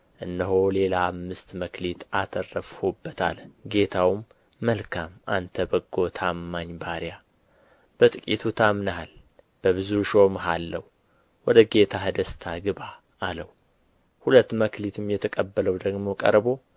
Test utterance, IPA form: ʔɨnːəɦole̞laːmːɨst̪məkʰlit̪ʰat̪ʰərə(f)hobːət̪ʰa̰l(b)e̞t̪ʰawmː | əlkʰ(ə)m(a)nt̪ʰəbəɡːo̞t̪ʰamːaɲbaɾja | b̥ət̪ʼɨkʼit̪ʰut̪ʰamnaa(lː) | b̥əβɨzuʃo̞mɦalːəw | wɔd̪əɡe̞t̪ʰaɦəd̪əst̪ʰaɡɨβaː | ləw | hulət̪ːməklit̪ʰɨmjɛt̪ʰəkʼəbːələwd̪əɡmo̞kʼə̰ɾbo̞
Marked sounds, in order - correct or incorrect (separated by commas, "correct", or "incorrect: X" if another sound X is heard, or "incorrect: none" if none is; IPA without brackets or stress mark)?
correct, incorrect: ɡ, incorrect: a, correct, incorrect: l